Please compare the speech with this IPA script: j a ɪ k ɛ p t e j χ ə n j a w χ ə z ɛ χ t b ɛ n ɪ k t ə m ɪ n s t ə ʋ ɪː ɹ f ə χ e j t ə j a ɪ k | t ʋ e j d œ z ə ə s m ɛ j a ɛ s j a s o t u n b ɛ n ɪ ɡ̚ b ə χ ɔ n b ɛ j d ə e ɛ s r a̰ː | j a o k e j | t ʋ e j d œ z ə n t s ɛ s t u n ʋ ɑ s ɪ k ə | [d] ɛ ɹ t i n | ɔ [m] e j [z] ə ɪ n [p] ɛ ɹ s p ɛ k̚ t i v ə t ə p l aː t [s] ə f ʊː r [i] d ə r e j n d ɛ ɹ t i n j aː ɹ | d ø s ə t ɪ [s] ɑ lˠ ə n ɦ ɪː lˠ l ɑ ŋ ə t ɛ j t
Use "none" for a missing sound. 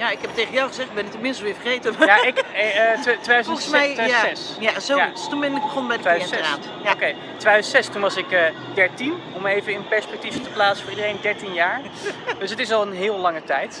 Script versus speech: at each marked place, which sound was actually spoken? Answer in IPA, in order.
d, m, v, p, s, i, s

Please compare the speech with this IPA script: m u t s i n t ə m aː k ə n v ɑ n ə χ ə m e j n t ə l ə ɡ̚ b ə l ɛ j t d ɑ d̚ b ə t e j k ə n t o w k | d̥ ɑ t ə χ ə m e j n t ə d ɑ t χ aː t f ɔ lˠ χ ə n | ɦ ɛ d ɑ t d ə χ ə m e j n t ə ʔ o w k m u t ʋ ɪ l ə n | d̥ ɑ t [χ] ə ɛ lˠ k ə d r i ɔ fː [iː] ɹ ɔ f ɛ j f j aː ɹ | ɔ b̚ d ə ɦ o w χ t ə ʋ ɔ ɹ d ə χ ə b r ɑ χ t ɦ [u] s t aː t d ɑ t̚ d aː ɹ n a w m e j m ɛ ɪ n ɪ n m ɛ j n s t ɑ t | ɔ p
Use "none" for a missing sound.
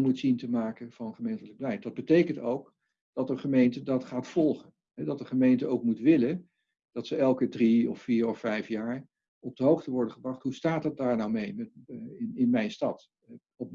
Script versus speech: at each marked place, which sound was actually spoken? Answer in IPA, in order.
s, iː, u

